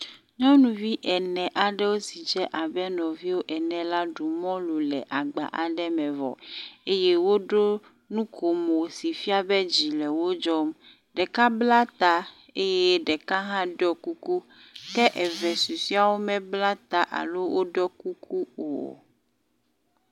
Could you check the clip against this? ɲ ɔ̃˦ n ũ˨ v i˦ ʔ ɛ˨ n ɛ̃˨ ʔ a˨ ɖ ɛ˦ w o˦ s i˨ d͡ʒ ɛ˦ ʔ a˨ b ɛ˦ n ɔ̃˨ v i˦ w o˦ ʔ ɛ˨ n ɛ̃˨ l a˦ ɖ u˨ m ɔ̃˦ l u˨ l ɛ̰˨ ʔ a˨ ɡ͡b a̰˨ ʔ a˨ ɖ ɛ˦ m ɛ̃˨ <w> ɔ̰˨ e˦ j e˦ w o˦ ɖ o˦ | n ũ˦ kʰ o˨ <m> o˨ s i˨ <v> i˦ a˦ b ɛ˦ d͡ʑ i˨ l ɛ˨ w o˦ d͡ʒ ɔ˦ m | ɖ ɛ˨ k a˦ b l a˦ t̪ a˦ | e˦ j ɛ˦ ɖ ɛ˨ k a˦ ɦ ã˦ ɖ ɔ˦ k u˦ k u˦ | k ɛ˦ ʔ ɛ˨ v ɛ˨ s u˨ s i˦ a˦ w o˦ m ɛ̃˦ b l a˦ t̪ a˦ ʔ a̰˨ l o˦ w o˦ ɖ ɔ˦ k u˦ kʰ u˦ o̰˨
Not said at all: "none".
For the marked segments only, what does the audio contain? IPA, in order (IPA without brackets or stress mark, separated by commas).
v, m, f